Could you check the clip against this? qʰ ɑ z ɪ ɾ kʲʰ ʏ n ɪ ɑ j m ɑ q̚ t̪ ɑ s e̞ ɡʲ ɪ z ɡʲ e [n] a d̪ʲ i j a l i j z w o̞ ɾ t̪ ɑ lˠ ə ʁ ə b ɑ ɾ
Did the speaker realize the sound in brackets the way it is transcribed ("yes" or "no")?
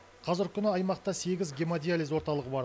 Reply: no